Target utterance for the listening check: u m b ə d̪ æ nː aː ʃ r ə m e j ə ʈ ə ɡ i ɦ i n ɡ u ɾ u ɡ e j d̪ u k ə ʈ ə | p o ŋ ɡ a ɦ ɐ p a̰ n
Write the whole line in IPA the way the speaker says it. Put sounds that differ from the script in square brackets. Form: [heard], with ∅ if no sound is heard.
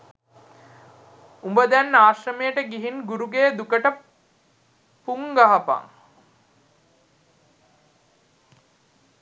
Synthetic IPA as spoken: u m b ə d̪ æ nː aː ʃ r ə m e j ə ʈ ə ɡ i ɦ i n ɡ u ɾ u ɡ e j d̪ u k ə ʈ ə | p [u] ŋ ɡ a ɦ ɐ p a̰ [ŋ]